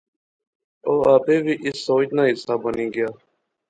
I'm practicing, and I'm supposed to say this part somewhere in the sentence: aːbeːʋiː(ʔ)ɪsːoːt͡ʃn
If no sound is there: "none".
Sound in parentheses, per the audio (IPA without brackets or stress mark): ʔ